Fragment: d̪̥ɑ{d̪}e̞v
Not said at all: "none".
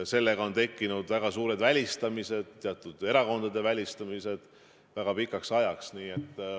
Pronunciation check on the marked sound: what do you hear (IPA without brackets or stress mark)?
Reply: d̪